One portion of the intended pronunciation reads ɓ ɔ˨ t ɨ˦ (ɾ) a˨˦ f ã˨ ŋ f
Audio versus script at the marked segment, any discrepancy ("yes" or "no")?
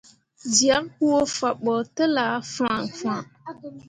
yes